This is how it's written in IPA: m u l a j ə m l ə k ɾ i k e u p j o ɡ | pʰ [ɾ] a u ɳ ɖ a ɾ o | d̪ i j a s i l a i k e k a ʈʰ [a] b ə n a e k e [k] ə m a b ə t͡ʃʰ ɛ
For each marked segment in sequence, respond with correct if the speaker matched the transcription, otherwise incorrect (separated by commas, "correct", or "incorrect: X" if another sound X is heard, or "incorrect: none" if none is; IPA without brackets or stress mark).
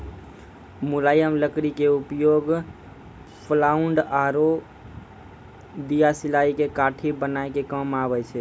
incorrect: l, incorrect: i, correct